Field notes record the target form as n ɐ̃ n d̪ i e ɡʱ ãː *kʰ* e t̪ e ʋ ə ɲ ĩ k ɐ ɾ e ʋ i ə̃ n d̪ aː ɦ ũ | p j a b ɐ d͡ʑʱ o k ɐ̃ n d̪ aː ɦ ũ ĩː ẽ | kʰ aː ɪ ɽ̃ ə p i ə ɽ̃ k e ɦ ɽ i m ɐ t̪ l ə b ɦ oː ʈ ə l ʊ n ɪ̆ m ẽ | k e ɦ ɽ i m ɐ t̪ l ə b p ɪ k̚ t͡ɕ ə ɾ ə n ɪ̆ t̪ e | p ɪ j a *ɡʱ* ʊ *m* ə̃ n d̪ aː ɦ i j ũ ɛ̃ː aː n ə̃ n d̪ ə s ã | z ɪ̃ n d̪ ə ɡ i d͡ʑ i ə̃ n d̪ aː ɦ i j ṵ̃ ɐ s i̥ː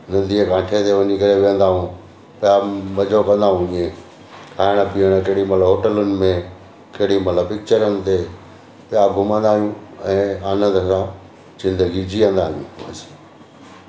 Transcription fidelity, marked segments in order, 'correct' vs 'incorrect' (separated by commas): incorrect, correct, correct